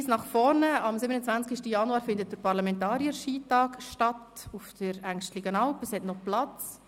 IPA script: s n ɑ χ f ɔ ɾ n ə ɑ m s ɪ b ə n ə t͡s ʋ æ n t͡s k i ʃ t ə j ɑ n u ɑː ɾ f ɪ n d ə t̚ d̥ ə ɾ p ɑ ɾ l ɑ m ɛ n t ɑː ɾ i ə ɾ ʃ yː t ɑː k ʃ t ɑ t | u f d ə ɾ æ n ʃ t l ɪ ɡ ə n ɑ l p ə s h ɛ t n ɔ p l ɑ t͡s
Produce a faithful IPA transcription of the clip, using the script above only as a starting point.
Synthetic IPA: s n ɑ χ f ɔ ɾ n ə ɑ m s ɪ b ə n ə t͡s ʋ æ n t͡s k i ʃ t ə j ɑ n u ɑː ɾ f ɪ n d ə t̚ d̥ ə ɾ p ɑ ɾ l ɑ m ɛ n t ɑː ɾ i ə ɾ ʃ iː t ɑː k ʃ t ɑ t | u f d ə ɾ æ ŋ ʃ t l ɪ ɡ ə n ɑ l p ə s h ɛ t n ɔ p l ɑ t͡s